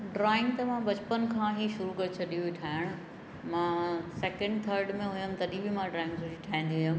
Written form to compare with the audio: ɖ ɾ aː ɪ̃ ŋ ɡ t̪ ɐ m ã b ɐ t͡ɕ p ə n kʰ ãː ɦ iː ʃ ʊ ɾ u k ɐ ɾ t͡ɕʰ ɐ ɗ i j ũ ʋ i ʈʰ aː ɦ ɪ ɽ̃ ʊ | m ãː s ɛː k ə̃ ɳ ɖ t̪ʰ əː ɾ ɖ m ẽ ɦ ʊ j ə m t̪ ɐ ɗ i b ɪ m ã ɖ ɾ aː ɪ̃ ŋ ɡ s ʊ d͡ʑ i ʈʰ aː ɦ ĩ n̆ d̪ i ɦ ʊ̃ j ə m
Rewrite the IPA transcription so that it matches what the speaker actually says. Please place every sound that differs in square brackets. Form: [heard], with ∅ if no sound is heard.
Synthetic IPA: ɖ ɾ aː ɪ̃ ŋ ɡ t̪ ɐ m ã b ɐ t͡ɕ p ə n kʰ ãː ɦ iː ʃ ʊ ɾ u k ɐ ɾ t͡ɕʰ ɐ ɗ i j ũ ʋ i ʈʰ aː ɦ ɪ ɽ̃ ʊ | m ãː s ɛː k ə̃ ɳ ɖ t̪ʰ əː ɾ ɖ m ẽ ɦ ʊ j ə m t̪ ɐ ɗ i b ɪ m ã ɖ ɾ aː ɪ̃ ŋ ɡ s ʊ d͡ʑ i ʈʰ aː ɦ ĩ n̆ d̪ i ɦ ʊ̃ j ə m